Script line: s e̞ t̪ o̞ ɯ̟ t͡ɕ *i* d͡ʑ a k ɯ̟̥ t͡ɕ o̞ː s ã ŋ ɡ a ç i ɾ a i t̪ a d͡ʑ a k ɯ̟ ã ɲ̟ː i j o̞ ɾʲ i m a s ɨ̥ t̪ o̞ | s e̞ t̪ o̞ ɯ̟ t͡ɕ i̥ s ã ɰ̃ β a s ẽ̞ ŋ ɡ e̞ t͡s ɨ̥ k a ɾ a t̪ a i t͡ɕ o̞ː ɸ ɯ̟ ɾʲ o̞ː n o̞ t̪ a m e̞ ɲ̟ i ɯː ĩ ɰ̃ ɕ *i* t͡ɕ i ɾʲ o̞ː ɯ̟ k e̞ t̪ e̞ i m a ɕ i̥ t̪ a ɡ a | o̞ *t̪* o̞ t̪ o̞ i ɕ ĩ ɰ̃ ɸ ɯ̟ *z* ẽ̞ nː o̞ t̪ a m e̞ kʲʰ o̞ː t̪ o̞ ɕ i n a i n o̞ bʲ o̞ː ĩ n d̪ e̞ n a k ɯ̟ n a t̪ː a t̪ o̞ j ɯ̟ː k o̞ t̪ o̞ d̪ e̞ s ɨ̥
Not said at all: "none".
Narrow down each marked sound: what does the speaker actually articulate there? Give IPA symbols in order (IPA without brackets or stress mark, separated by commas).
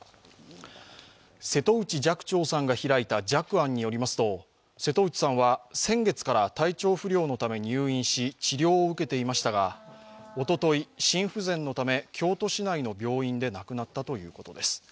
i, i, t̪, z